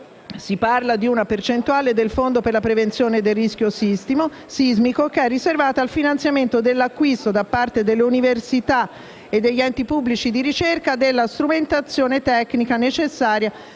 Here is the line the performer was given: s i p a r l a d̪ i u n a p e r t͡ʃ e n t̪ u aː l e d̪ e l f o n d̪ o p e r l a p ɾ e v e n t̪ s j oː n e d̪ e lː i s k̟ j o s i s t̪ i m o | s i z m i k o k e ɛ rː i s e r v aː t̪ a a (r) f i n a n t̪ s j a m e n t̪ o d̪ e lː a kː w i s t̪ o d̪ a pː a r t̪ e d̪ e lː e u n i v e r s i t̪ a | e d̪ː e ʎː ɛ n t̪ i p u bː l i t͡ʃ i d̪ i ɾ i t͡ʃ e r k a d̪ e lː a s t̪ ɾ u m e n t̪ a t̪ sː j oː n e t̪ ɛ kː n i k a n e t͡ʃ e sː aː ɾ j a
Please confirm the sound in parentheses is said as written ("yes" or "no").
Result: no